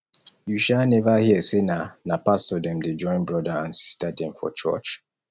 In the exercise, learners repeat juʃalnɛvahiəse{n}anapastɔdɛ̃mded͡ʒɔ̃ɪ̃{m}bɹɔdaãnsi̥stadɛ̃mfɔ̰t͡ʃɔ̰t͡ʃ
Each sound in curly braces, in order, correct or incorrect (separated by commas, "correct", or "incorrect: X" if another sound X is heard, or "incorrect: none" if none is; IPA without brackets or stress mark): correct, incorrect: n